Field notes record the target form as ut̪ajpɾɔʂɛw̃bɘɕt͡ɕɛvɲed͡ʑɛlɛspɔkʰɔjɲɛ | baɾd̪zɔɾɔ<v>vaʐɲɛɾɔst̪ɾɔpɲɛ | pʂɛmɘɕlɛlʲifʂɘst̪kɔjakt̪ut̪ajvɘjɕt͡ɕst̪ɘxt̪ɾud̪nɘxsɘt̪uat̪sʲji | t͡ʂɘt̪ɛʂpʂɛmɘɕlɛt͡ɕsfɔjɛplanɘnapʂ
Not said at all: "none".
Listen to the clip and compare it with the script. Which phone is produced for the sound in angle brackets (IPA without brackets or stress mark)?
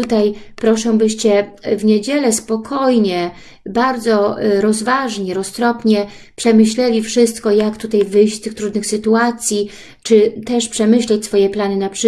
z